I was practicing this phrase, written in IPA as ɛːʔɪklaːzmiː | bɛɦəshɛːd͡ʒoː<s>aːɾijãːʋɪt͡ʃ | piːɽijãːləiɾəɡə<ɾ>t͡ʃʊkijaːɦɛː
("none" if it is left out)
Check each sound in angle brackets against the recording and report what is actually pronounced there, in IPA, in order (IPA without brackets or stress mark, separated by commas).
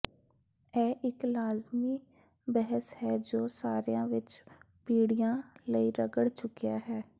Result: s, ɽ